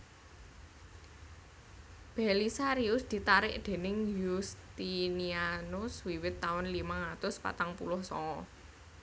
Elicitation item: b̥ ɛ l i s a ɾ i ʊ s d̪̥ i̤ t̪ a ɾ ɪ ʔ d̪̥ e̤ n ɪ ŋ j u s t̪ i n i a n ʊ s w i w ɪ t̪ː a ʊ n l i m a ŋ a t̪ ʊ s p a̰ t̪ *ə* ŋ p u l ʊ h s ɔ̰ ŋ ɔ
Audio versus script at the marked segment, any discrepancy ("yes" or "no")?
yes